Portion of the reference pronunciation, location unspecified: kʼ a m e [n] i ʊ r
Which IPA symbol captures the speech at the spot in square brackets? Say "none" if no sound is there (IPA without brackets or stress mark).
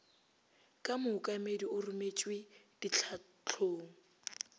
d